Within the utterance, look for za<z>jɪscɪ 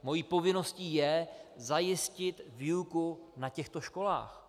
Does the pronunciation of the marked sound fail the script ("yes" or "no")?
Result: yes